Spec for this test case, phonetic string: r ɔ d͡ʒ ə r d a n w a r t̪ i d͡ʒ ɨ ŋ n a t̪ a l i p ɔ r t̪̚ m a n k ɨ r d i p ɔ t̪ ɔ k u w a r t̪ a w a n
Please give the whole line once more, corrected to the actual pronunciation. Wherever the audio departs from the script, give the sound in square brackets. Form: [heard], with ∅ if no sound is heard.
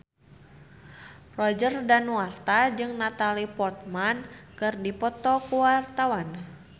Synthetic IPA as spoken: r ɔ d͡ʒ ə r d a n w a r t̪ [a] d͡ʒ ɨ ŋ n a t̪ a l i p ɔ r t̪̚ m a n k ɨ r d i p ɔ t̪ ɔ k u w a r t̪ a w a n